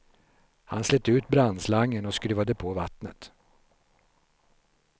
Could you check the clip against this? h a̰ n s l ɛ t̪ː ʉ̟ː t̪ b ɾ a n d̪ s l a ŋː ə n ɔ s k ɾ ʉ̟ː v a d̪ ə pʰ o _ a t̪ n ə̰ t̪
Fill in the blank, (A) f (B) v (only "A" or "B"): B